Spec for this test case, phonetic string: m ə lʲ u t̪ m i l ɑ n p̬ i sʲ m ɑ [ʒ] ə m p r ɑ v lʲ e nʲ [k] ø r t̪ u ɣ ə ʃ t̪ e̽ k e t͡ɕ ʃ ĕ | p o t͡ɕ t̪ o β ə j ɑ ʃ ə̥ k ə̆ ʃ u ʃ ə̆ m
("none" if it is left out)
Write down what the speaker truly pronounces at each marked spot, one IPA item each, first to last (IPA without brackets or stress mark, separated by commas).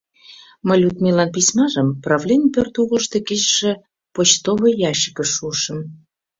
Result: ʒ, p